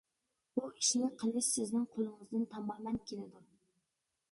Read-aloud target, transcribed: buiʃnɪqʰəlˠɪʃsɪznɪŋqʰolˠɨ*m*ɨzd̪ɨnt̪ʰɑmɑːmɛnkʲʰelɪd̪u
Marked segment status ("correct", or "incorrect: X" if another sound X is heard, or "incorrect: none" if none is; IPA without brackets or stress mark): incorrect: ŋ